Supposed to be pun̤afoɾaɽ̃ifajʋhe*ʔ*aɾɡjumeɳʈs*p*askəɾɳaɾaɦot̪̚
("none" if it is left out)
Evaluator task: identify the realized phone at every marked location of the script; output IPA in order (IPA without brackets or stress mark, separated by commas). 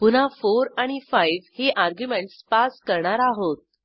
ʔ, p